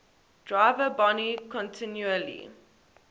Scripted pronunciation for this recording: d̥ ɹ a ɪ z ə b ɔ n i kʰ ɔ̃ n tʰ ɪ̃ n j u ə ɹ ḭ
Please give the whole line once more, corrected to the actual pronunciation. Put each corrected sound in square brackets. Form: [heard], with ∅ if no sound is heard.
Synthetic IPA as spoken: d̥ ɹ a ɪ [v] ə b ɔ n i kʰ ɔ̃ n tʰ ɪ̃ n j u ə [l] ḭ